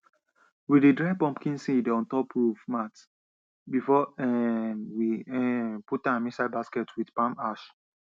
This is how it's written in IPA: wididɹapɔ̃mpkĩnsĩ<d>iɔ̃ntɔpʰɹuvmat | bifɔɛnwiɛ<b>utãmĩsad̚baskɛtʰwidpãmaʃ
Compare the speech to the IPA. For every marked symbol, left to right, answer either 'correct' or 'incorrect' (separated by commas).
correct, incorrect